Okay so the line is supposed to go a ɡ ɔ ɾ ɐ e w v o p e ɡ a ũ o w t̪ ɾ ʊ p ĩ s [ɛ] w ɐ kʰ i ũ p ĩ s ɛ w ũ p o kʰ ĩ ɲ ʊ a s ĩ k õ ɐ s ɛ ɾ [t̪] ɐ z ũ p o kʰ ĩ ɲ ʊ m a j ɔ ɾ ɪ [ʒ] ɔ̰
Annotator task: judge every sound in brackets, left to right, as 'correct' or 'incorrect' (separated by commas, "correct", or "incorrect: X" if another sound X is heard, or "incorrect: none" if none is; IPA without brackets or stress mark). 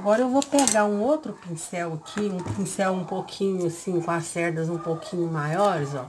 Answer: correct, incorrect: d̪, incorrect: z